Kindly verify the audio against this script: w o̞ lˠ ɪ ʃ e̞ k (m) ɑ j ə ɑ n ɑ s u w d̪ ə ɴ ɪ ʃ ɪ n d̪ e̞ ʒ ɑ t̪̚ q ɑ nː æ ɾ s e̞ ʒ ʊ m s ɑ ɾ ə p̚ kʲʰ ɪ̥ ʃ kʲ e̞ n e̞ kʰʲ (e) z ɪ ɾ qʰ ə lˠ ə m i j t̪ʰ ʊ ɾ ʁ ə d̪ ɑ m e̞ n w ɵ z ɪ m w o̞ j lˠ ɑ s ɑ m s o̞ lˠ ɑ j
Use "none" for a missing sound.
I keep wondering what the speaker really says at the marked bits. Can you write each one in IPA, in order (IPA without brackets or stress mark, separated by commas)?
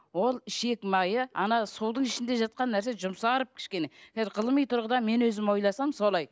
m, æ